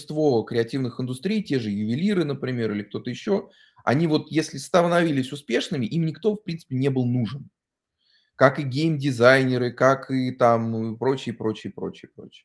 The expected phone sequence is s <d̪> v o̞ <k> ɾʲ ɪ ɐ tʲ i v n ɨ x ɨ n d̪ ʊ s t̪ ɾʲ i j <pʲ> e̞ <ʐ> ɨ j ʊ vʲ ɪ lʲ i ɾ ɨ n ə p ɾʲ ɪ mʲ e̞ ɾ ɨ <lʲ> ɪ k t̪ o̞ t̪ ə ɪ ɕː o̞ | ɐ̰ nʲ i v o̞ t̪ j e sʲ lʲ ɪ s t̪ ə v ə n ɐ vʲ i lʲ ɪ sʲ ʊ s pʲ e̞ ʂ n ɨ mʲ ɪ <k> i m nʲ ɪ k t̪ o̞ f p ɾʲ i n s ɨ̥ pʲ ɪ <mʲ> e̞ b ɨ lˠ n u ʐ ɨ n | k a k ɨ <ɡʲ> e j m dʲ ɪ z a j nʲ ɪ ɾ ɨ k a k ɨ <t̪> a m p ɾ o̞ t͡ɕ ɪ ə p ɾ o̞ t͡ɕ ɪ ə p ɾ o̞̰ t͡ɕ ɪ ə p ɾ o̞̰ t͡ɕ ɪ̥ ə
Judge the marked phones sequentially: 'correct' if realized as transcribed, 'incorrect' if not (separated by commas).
incorrect, correct, incorrect, correct, correct, incorrect, incorrect, correct, correct